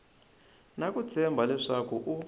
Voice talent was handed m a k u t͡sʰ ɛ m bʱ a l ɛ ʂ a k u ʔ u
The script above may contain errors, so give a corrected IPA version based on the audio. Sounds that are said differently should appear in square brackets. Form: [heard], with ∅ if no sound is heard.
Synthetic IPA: [n] a k u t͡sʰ ɛ m bʱ a l ɛ ʂ a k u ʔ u